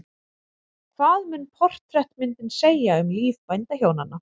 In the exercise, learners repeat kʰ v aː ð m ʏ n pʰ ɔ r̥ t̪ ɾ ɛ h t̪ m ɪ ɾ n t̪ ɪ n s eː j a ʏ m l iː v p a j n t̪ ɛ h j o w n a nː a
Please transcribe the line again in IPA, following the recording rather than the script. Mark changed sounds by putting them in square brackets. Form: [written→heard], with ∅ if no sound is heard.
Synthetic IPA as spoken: kʰ v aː ð m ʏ n pʰ ɔ r̥ t̪ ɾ ɛ h t̪ m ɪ [ɾ→∅] n t̪ ɪ n s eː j a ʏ m l iː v p a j n t̪ [ɛ→a] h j o w n a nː a